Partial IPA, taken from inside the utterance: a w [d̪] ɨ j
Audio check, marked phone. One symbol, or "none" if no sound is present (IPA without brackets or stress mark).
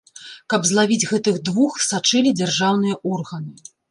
n̪